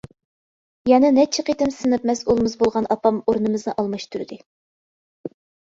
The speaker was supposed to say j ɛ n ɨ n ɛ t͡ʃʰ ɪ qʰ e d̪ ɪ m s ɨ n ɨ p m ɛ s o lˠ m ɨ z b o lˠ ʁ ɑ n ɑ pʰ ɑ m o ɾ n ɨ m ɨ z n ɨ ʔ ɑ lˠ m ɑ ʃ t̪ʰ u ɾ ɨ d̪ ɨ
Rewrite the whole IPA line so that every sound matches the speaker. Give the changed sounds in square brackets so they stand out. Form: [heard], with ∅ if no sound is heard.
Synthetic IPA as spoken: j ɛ n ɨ n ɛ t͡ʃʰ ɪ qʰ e [t̪] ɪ m s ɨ n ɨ p m ɛ s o lˠ m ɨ z b o lˠ ʁ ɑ n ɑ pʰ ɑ m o ɾ n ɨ m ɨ z n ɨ ʔ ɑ lˠ m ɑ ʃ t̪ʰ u ɾ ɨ d̪ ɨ

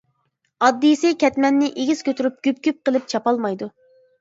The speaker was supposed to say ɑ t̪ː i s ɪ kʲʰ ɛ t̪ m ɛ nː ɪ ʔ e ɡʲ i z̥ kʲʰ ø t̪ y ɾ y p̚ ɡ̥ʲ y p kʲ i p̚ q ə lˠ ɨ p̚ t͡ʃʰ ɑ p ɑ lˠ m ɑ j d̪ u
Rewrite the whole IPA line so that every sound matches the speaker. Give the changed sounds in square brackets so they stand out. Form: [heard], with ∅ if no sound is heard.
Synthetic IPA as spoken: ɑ [d̪ː] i s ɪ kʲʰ ɛ t̪ m ɛ nː ɪ ʔ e ɡʲ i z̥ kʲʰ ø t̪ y ɾ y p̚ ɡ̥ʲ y p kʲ [y] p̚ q ə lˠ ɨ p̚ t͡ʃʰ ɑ p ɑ lˠ m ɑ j d̪ u

